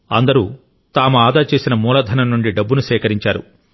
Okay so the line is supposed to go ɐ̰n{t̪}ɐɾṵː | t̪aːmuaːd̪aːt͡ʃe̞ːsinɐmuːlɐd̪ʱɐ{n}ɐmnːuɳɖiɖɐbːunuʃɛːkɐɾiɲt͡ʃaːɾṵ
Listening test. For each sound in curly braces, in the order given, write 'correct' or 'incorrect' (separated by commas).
incorrect, correct